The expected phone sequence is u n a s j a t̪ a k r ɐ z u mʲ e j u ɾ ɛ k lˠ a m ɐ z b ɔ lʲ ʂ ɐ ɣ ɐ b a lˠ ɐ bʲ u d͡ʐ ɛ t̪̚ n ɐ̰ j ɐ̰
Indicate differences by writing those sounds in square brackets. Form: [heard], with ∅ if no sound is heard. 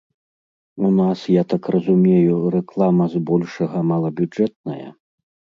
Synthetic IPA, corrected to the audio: u n a s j a t̪ a k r ɐ z u mʲ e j u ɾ ɛ k lˠ a m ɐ z b ɔ lʲ ʂ ɐ ɣ ɐ [m] a lˠ ɐ bʲ u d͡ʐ ɛ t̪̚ n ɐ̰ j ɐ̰